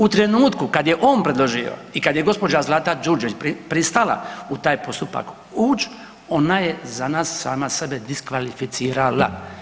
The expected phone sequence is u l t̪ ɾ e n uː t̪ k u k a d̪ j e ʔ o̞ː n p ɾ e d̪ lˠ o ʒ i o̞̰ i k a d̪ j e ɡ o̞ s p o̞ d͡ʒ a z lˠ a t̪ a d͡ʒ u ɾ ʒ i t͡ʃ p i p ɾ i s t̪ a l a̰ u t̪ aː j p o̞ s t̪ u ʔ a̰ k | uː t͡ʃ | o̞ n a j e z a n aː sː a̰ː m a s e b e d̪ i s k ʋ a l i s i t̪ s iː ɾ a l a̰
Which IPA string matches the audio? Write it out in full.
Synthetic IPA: u t̪ ɾ e n uː t̪ k u k a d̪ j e ʔ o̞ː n p ɾ e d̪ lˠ o ʒ i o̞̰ i k a d̪ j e ɡ o̞ s p o̞ d͡ʒ a z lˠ a t̪ a d͡ʒ u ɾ d͡ʒ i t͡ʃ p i p ɾ i s t̪ a l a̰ u t̪ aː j p o̞ s t̪ u p a̰ k | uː t͡ʃ | o̞ n a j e z a n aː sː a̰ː m a s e b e d̪ i s k ʋ a l i f i t̪ s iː ɾ a l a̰